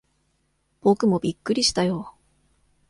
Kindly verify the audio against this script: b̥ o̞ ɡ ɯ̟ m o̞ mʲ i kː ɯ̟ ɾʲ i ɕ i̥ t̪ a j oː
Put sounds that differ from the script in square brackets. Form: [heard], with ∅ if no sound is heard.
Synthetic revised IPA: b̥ o̞ [k] ɯ̟ m o̞ [bʲ] i kː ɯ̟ ɾʲ i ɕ i̥ t̪ a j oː